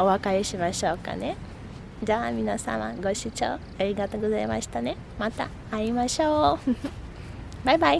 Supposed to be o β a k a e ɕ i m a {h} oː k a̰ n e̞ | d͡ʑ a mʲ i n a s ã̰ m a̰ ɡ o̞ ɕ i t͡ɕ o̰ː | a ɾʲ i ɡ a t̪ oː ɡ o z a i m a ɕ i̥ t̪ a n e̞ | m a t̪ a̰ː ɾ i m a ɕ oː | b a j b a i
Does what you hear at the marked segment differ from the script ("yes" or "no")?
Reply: yes